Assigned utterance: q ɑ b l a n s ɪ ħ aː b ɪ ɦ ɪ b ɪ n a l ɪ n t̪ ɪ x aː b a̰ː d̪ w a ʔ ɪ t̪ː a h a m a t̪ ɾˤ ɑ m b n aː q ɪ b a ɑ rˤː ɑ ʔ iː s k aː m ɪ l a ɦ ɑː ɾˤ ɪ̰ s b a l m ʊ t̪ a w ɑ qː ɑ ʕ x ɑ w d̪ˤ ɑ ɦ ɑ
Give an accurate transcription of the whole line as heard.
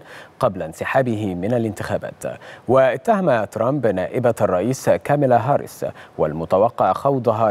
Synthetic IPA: q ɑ b l a n s ɪ ħ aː b ɪ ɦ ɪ m ɪ n a l ɪ n t̪ ɪ x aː b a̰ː t̪ w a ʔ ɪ t̪ː a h a m a t̪ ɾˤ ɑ m b n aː ʔ ɪ b a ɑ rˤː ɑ ʔ iː s k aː m ɪ l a ɦ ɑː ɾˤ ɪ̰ s w a l m ʊ t̪ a w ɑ qː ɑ ʕ x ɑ w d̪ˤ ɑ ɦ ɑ